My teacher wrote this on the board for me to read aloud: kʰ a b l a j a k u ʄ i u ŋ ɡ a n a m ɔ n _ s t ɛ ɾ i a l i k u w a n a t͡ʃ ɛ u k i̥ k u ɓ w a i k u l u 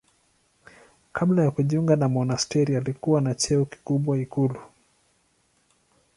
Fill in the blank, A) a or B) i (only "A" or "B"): A